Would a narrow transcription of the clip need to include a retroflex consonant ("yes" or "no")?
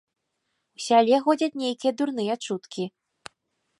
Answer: yes